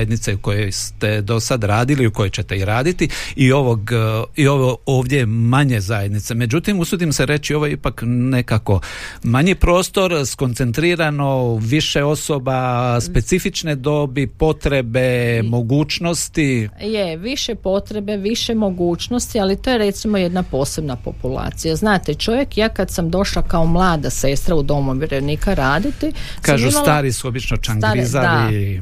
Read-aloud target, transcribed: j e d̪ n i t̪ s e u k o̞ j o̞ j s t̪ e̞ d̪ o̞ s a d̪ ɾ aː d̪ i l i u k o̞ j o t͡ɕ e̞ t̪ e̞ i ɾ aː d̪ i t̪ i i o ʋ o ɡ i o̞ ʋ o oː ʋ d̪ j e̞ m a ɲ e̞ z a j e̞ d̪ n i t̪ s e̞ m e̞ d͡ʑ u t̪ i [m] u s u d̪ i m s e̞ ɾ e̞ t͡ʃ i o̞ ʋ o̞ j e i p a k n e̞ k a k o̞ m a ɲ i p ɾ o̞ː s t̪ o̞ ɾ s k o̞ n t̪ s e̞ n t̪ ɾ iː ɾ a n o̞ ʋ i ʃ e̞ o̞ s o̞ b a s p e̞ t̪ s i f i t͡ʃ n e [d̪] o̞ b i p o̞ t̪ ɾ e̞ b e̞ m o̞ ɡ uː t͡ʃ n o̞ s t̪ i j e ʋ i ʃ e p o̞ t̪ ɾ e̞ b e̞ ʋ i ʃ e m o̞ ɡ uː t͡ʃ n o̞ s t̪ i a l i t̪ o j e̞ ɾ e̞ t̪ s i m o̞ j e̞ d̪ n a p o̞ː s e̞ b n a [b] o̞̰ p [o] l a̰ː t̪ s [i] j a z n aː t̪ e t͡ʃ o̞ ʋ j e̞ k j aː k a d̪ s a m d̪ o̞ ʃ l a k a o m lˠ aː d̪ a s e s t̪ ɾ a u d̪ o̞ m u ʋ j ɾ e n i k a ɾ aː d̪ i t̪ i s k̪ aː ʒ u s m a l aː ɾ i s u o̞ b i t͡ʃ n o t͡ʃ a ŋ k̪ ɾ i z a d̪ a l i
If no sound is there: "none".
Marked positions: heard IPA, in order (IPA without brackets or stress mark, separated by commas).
m, d̪, p, u, i